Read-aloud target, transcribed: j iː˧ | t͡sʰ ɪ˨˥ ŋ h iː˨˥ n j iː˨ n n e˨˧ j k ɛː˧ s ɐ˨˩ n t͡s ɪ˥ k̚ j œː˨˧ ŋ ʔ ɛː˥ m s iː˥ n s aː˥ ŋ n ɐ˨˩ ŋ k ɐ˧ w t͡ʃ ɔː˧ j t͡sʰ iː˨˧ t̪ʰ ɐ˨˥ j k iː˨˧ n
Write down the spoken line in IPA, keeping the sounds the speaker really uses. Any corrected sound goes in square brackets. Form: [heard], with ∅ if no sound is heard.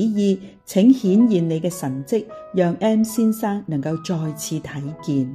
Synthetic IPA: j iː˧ | t͡sʰ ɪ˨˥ ŋ h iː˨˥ n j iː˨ n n e˨˧ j k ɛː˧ s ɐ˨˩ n t͡s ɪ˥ k̚ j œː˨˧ ŋ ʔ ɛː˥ m s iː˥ n s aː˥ ŋ n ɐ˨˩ ŋ k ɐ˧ w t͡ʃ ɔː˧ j t͡sʰ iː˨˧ t̪ʰ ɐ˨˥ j k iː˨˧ n